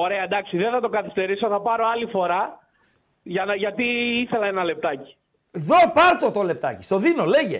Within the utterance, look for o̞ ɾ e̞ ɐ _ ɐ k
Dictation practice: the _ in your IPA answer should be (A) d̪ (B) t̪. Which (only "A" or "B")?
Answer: A